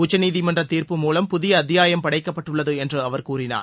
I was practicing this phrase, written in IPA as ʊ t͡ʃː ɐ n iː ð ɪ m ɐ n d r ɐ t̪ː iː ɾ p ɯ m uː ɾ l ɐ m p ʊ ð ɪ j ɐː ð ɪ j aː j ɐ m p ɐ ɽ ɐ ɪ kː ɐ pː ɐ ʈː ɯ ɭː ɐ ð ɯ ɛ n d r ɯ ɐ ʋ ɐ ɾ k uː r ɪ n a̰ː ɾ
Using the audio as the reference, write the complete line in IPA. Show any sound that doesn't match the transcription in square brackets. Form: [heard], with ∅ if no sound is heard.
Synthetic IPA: ʊ t͡ʃː ɐ n iː ð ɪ m ɐ n d r ɐ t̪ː iː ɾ p ɯ m uː [∅] l ɐ m p ʊ ð ɪ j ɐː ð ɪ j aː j ɐ m p ɐ ɽ ɐ ɪ kː ɐ pː ɐ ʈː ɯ ɭː ɐ ð ɯ ɛ n d r ɯ ɐ ʋ ɐ ɾ k uː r ɪ n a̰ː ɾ